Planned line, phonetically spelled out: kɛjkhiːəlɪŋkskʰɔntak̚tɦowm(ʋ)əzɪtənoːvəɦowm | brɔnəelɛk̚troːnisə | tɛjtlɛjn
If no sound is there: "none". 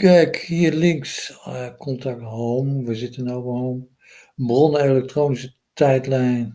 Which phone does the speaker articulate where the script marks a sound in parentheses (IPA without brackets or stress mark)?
ʋ